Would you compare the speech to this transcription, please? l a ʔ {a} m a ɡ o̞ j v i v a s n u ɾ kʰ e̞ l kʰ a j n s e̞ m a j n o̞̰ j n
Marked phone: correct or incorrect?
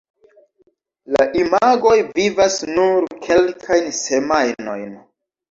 incorrect